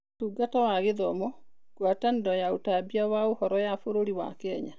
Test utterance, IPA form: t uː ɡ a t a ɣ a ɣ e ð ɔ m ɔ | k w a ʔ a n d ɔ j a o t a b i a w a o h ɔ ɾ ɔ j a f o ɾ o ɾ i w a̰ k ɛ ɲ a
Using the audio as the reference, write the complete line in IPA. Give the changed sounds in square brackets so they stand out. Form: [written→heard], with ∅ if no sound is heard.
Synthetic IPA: t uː ɡ a t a [ɣ→w] a ɣ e ð ɔ m ɔ | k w a [ʔ→t] a n d ɔ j a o t a b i a w a o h ɔ ɾ ɔ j a f o ɾ o ɾ i w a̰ k ɛ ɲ a